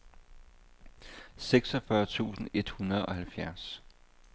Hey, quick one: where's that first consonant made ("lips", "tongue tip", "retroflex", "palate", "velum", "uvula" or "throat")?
tongue tip